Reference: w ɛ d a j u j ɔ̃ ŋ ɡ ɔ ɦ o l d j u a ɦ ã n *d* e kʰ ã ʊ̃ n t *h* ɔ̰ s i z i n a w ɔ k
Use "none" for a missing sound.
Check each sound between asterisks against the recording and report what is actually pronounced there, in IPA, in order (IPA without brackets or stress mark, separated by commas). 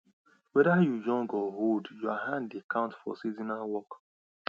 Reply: d, f